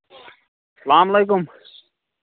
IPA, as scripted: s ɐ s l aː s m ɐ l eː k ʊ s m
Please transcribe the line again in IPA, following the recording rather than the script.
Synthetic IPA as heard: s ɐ l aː m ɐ l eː k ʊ m